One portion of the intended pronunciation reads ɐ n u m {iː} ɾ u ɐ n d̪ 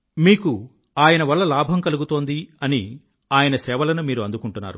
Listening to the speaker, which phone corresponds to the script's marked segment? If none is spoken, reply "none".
iː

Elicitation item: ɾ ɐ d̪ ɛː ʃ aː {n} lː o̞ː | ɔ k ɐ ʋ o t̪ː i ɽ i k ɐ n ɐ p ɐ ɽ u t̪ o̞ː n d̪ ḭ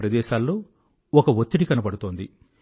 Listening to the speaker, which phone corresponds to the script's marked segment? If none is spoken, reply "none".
none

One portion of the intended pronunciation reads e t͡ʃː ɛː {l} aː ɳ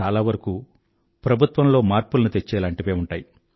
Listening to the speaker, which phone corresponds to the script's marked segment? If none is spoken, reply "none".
l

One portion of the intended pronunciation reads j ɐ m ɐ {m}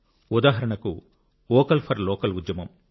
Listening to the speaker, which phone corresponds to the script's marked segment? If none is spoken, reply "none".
m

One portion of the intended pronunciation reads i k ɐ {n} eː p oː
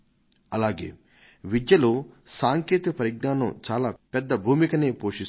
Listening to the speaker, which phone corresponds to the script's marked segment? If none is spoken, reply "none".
n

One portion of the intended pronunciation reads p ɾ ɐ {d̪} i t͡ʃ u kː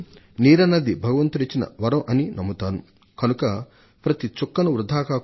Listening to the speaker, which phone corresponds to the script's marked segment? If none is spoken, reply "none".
t̪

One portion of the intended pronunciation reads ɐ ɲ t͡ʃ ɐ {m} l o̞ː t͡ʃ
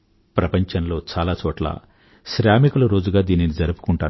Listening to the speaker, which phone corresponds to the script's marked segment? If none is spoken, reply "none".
n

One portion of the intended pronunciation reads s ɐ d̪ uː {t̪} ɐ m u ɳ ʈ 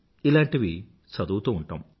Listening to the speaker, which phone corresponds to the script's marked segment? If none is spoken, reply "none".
t̪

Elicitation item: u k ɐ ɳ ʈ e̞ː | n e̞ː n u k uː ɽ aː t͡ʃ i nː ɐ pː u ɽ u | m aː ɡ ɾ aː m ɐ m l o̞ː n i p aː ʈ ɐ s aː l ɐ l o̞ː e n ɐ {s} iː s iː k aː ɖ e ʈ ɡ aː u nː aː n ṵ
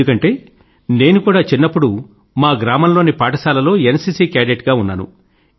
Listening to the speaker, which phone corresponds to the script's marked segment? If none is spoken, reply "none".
s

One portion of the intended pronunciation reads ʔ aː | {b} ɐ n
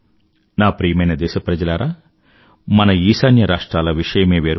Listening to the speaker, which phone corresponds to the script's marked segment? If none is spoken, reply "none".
m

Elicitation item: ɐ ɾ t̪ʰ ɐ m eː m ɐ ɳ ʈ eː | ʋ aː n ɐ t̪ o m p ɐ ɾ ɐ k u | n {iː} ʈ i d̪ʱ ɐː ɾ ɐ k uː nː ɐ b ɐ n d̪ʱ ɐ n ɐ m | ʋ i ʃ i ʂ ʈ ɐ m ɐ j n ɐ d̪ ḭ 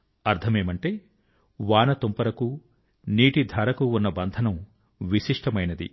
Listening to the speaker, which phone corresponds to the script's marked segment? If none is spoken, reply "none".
iː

